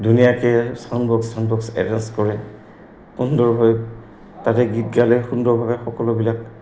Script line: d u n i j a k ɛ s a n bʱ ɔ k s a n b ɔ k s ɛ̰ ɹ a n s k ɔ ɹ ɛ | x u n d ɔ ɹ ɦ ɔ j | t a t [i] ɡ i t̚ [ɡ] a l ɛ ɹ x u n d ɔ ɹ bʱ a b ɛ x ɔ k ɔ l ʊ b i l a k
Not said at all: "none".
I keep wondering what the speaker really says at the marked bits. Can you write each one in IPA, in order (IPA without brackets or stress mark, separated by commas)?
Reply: ɛ, ɡ